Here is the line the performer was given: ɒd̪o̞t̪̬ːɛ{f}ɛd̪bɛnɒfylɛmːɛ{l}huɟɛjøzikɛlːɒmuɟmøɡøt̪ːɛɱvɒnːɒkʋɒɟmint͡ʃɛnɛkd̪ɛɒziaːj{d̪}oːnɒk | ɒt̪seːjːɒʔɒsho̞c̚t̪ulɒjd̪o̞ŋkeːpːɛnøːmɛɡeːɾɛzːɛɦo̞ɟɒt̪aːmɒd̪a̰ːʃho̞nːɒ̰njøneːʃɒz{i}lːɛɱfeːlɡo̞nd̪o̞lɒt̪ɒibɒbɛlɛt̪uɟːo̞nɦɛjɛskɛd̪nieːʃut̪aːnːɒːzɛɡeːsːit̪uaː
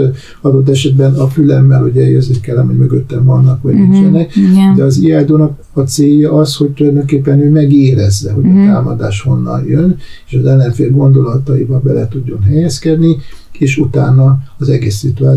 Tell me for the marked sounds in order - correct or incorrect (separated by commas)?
incorrect, correct, correct, incorrect